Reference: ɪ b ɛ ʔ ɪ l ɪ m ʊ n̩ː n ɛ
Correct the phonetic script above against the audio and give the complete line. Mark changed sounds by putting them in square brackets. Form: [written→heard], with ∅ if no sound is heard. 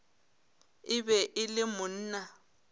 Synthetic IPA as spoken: ɪ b ɛ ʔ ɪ l ɪ m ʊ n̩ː n [ɛ→a]